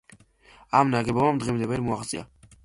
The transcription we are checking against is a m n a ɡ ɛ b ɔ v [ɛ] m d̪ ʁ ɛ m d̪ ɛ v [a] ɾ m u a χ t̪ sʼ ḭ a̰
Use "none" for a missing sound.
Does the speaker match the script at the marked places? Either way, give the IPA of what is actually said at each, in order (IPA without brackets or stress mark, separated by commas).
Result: a, ɛ